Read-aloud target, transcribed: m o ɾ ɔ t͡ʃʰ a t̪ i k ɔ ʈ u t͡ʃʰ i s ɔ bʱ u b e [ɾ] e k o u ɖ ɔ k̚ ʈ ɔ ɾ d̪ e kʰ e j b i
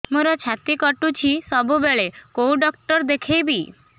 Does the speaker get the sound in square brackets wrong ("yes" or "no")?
yes